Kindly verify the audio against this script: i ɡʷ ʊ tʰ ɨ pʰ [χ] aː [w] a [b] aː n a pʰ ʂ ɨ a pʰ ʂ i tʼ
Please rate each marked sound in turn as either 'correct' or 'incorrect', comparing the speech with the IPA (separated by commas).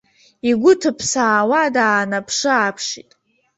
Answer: incorrect, correct, incorrect